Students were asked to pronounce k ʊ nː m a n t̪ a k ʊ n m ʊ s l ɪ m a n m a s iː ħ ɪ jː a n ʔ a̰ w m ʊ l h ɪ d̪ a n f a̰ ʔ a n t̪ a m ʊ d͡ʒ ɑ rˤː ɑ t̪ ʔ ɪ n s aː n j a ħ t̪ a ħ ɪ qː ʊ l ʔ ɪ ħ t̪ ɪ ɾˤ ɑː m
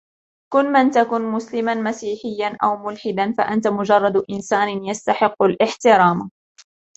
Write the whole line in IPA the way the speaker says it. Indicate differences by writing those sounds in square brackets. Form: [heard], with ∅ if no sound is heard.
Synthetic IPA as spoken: k ʊ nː m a n t̪ a k ʊ n m ʊ s l ɪ m a n m a s iː ħ ɪ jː a n ʔ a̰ w m ʊ l [ħ] ɪ d̪ a n f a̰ ʔ a n t̪ a m ʊ d͡ʒ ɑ rˤː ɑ [d̪] ʔ ɪ n s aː n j a [s] t̪ a ħ ɪ qː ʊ l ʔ ɪ ħ t̪ ɪ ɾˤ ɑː m